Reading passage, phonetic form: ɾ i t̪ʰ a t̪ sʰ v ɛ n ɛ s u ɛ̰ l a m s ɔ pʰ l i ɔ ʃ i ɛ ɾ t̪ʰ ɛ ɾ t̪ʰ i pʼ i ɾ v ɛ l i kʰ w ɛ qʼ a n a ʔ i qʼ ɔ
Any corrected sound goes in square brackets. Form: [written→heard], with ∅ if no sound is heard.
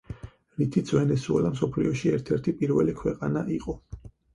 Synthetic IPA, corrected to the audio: ɾ i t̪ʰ [a→i] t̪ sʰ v ɛ n ɛ s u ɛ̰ l a m s ɔ pʰ l i ɔ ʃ i ɛ ɾ t̪ʰ ɛ ɾ t̪ʰ i pʼ i ɾ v ɛ l i kʰ w ɛ qʼ a n a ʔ i qʼ ɔ

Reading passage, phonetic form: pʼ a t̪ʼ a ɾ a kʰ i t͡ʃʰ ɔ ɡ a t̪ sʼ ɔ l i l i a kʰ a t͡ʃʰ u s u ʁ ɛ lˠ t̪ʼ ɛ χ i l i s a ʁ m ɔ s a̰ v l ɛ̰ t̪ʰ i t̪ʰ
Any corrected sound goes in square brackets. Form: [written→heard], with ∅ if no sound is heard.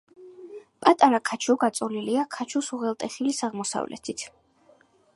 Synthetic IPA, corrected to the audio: pʼ a t̪ʼ a ɾ a kʰ [i→a] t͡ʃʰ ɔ ɡ a t̪ sʼ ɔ l i l i a kʰ a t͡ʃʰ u s u ʁ ɛ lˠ t̪ʼ ɛ χ i l i s a ʁ m ɔ s a̰ v l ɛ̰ t̪ʰ i t̪ʰ

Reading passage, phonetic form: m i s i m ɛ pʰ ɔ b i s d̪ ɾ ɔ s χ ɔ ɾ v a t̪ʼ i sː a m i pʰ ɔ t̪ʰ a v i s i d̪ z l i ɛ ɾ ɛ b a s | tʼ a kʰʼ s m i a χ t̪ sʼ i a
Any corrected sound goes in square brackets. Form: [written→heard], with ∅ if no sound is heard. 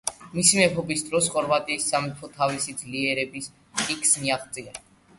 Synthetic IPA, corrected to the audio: m i s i m ɛ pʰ ɔ b i s d̪ ɾ ɔ s χ ɔ ɾ v a t̪ʼ [i→iː] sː a m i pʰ ɔ t̪ʰ a v i s i d̪ z l i ɛ ɾ ɛ b [a→i] s | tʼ [a→i] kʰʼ s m i a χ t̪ sʼ i a

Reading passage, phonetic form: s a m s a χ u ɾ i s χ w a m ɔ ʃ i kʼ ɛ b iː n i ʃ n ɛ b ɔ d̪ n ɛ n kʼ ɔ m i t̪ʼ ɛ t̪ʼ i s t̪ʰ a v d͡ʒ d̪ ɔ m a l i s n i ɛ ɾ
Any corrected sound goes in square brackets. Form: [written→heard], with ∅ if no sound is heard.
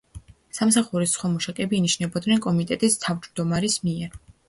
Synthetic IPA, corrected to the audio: s a m s a χ u ɾ i s χ w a m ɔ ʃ [i→a] kʼ ɛ b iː n i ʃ n ɛ b ɔ d̪ n ɛ n kʼ ɔ m i t̪ʼ ɛ t̪ʼ i s t̪ʰ a v d͡ʒ d̪ ɔ m a [l→ɾ] i s [n→m] i ɛ ɾ

